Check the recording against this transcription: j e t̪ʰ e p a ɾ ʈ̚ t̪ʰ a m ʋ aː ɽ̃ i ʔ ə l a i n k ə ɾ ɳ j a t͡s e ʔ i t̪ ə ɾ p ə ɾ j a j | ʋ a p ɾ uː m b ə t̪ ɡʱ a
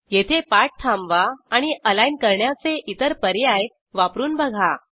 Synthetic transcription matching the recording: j e t̪ʰ e p a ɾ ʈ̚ t̪ʰ a m ʋ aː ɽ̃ i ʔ ə l a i n k ə ɾ ɳ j a t͡s e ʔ i t̪ ə ɾ p ə ɾ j a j | ʋ a p ɾ uː n b ə ɡʱ a